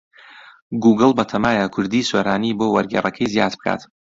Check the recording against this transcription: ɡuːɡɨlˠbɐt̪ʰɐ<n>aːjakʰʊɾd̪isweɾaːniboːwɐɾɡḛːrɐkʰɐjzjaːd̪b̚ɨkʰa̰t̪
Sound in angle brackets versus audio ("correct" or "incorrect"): incorrect